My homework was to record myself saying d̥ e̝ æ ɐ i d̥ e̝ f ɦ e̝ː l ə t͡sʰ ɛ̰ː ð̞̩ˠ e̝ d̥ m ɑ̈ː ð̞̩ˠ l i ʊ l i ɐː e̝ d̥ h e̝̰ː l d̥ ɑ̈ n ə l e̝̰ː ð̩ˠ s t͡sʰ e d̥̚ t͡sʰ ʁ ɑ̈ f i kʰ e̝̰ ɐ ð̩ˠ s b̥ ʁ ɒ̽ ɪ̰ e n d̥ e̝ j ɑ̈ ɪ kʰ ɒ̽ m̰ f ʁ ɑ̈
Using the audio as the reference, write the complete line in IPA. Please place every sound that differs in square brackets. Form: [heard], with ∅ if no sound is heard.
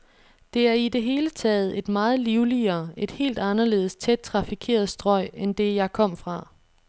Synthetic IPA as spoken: d̥ e̝ æ ɐ i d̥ e̝ [∅] ɦ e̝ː l ə t͡sʰ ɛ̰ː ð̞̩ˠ e̝ d̥ m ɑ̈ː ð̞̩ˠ l i ʊ l i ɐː e̝ d̥ h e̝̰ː l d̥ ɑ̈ n [ɐ] l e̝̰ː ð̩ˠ s t͡sʰ e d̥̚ t͡sʰ ʁ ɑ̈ f i kʰ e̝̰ ɐ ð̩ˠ s [d̥] ʁ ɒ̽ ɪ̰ e n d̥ e̝ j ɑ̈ ɪ kʰ ɒ̽ m̰ f ʁ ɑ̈